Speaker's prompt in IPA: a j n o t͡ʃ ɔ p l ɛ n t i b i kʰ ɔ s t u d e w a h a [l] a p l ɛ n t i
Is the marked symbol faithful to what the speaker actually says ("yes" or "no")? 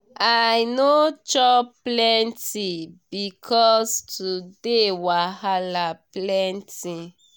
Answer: yes